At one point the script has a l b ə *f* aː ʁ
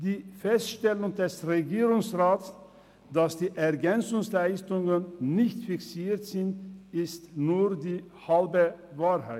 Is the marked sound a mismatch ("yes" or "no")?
yes